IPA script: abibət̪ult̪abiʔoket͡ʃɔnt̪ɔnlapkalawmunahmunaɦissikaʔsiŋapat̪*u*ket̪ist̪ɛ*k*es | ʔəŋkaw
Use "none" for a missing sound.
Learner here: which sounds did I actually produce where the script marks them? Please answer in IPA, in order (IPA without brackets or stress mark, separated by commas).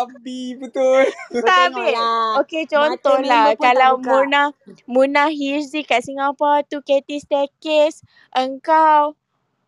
u, k